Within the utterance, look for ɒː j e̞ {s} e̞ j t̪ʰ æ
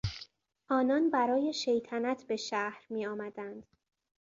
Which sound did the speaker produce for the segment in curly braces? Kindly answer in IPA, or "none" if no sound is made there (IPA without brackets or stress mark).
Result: ʃ